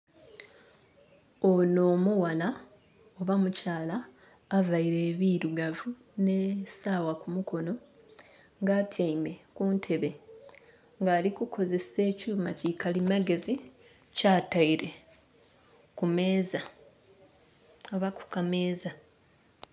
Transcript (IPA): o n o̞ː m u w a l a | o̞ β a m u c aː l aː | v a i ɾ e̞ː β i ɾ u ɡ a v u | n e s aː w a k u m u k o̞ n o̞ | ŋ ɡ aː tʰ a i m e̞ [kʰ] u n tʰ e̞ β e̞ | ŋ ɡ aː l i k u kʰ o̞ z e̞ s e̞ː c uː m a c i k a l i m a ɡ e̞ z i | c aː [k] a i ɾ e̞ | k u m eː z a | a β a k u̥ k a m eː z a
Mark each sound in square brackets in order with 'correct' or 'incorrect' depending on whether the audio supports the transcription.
incorrect, incorrect

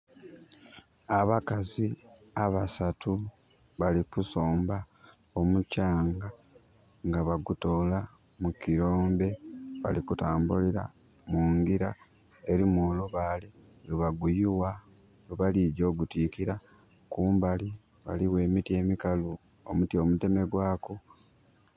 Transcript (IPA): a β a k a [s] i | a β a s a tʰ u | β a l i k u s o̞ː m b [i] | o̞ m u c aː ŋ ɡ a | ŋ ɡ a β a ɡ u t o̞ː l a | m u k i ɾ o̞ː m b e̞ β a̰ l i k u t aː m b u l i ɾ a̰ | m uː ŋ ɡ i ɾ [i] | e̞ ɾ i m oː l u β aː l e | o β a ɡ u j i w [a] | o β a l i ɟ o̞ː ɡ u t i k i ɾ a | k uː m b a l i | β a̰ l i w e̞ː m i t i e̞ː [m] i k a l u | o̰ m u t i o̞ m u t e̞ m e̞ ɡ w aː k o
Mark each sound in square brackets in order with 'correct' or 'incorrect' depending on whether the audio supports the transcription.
incorrect, incorrect, incorrect, correct, correct

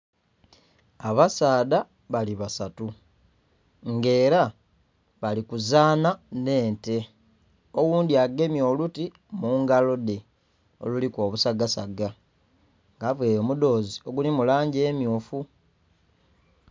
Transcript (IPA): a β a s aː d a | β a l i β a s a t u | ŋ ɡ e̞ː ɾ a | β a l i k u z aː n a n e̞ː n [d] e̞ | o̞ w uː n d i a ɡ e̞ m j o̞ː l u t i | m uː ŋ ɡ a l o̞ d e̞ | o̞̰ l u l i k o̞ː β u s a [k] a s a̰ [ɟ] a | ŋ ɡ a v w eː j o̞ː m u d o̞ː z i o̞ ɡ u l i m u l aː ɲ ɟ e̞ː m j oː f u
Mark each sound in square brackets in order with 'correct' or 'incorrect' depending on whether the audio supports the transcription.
incorrect, incorrect, incorrect

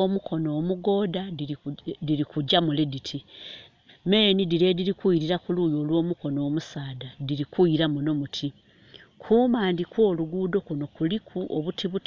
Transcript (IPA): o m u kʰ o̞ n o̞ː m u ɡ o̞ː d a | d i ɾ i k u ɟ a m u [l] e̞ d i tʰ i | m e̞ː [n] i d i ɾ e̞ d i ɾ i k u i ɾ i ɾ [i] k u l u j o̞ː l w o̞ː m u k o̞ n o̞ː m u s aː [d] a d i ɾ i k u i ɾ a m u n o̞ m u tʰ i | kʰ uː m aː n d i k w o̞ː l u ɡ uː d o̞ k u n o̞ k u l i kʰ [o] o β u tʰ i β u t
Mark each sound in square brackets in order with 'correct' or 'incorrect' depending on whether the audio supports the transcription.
correct, correct, incorrect, correct, incorrect

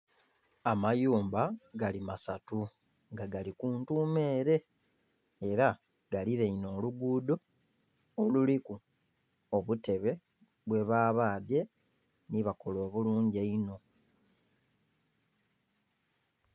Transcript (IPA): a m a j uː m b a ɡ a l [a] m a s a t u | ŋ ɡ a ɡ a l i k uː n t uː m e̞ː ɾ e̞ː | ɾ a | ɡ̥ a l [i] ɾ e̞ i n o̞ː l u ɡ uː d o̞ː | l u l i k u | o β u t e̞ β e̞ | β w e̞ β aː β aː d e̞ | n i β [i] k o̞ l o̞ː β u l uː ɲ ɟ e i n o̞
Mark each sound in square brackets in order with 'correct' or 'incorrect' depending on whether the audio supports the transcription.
incorrect, correct, incorrect

